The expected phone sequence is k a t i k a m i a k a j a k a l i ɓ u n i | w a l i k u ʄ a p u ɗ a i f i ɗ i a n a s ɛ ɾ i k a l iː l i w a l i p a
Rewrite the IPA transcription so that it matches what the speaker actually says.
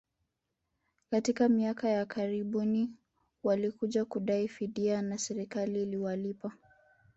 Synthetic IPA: k a t i k a m i a k a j a k a ɾ i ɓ u n i | w a l i k u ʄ a k u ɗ a i f i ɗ i a n a s ɛ ɾ i k a l iː l i w a l i p a